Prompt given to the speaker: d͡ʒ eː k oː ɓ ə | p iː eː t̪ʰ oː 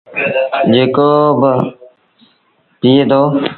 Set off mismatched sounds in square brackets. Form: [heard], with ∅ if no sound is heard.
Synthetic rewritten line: d͡ʒ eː k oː [b] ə | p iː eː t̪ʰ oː